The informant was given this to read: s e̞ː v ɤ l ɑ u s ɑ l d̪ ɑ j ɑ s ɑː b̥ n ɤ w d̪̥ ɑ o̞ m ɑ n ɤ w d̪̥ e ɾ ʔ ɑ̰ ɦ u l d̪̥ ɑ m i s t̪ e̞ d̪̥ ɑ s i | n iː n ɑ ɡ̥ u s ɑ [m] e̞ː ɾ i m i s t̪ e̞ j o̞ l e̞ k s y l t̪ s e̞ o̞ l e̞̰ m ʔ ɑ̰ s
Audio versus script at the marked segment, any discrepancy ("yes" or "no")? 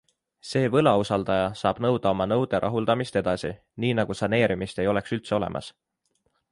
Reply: yes